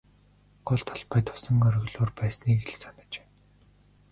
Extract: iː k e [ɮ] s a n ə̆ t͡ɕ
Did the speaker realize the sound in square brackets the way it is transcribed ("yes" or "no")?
yes